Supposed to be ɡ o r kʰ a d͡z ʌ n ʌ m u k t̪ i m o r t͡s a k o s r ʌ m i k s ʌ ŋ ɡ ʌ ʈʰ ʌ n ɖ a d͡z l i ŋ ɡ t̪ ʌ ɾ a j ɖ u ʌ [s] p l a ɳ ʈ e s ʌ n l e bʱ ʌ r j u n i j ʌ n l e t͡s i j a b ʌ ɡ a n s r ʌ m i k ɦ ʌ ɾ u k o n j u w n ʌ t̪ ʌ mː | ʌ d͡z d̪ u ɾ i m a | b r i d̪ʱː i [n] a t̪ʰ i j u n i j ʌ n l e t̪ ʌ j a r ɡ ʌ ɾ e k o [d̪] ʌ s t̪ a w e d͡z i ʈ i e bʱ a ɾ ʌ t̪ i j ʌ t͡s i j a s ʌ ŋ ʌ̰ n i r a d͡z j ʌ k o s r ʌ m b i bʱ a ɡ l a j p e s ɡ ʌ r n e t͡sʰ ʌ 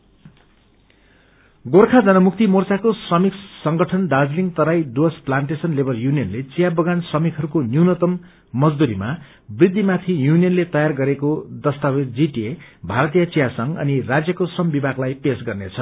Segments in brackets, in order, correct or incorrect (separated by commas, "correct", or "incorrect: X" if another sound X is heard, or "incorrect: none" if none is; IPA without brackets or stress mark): correct, incorrect: m, correct